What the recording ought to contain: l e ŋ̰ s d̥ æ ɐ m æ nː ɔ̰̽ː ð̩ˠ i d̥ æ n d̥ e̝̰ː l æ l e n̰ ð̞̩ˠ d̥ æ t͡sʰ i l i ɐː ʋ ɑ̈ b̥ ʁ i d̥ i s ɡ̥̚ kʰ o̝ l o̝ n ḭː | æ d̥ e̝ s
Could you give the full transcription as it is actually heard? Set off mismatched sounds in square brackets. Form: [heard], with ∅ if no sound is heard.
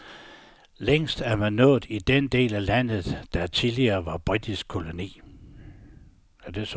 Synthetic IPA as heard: l e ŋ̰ s d̥ æ ɐ m æ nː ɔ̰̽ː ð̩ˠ i d̥ [e] n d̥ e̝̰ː l æ l [æ] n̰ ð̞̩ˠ d̥ æ t͡sʰ i l i ɐː ʋ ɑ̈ b̥ ʁ i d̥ i s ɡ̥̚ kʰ o̝ l o̝ n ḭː | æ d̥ e̝ s